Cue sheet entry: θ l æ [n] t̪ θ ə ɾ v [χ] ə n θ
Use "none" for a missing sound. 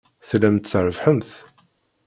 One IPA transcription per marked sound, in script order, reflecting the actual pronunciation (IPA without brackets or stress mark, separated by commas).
m, ħ